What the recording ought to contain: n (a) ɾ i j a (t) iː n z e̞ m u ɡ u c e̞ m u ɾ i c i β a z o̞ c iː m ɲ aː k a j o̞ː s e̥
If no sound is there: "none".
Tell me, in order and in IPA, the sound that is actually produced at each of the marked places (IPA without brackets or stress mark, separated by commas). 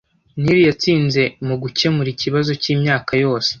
i, t͡s